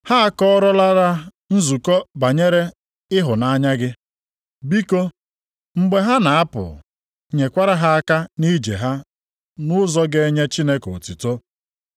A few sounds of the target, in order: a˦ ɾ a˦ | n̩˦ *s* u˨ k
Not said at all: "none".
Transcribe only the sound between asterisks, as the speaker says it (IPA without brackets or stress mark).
z